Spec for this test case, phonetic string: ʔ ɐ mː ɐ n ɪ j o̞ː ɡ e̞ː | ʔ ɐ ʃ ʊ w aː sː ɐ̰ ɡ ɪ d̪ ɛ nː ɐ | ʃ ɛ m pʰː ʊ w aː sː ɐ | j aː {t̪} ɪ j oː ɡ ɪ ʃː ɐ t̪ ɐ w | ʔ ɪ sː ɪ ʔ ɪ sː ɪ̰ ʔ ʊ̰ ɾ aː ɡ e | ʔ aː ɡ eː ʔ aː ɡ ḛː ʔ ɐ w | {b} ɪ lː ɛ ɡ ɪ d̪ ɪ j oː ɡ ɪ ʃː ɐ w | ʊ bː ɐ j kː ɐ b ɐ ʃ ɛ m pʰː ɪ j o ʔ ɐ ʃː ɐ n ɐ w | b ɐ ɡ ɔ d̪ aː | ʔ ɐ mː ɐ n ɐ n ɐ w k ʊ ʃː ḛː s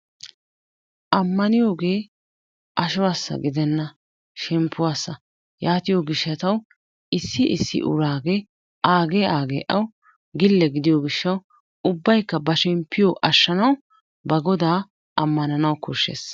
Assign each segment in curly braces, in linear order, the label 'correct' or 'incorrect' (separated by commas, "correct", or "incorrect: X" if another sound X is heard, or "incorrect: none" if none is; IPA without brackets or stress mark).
correct, incorrect: ɡ